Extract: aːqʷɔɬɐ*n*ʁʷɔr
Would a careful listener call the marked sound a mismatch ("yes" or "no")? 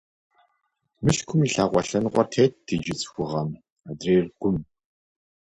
no